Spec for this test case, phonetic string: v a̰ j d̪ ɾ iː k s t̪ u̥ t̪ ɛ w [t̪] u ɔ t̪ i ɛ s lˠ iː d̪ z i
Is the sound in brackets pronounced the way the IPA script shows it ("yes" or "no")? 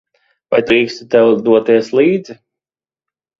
no